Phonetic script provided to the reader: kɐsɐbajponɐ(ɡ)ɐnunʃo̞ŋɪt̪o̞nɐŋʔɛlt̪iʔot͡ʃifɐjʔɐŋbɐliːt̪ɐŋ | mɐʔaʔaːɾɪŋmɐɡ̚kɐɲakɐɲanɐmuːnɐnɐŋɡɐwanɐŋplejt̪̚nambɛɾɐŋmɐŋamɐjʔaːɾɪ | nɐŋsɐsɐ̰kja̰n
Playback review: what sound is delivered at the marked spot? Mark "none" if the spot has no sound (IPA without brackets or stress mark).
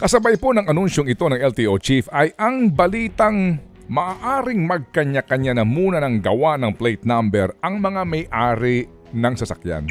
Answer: ŋ